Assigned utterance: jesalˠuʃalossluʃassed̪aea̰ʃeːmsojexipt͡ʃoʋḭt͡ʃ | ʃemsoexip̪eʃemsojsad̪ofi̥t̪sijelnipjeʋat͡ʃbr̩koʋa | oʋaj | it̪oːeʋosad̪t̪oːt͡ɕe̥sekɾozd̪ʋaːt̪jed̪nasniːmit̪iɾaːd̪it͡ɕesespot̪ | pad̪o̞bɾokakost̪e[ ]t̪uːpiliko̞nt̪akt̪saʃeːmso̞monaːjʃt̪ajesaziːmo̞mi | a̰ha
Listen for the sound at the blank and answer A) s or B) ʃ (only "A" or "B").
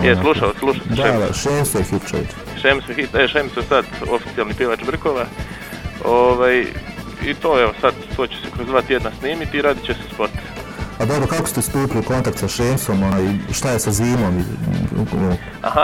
A